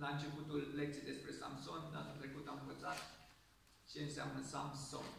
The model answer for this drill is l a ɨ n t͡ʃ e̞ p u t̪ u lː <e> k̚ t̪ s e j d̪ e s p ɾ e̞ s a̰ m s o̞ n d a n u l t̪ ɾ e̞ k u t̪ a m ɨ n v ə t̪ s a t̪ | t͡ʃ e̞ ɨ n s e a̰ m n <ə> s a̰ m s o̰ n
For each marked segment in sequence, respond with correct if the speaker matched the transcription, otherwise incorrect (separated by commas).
correct, correct